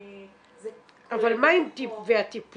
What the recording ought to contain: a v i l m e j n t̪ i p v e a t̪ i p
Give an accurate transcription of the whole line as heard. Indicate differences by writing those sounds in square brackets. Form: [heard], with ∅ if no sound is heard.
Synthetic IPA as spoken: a v [a] l m [a] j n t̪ i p v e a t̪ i p